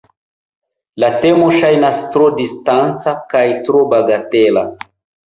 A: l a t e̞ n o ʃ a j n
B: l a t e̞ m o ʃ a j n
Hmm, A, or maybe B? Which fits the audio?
B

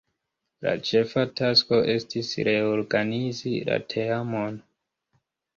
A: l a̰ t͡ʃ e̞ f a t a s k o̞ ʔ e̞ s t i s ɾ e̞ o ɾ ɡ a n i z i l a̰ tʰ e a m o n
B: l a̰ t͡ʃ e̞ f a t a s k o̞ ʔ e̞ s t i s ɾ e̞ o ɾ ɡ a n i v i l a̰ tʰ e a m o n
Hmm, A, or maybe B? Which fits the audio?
A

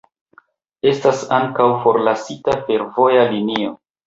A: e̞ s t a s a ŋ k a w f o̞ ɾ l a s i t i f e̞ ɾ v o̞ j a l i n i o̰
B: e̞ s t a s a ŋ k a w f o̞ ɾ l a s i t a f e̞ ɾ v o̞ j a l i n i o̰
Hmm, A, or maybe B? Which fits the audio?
B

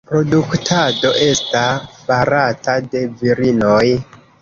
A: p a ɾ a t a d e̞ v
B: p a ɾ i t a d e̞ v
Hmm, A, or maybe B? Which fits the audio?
A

